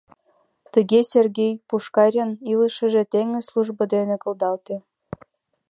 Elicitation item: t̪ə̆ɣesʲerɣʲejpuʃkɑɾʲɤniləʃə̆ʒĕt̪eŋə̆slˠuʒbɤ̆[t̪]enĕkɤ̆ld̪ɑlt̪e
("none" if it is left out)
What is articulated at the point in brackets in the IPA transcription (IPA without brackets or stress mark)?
d̪